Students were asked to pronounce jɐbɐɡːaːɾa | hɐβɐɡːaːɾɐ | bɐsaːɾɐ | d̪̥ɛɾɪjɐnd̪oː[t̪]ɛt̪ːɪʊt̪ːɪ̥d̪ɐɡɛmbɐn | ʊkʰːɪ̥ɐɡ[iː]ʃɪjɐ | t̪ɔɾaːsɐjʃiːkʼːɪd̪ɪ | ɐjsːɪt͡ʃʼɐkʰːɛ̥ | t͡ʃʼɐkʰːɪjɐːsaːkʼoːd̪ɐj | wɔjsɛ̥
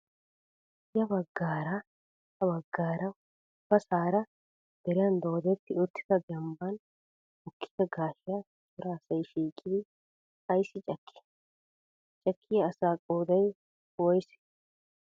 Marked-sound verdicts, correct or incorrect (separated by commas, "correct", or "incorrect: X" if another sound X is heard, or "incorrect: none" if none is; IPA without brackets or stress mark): incorrect: d̪, incorrect: aː